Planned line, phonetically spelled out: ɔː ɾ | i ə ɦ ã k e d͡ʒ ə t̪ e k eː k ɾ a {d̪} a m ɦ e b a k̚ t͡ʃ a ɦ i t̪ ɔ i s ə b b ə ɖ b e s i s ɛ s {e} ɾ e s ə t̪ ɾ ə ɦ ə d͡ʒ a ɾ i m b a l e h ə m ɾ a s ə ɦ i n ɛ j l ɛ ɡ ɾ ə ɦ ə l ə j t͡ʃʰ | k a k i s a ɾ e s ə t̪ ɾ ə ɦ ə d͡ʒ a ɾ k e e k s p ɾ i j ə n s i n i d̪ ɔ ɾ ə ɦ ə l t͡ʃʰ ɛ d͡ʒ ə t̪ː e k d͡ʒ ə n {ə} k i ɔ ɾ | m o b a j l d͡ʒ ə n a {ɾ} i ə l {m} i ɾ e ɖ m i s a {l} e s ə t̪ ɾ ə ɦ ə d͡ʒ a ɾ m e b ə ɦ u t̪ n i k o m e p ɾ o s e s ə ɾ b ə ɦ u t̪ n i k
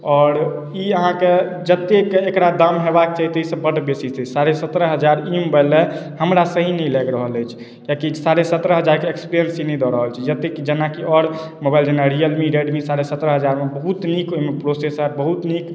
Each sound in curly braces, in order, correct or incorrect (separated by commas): correct, incorrect, incorrect, correct, correct, incorrect